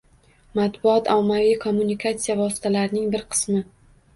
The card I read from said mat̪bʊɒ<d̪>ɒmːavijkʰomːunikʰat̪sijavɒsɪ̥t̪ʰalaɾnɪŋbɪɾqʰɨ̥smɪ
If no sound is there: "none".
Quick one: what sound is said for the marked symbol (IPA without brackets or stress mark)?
t̪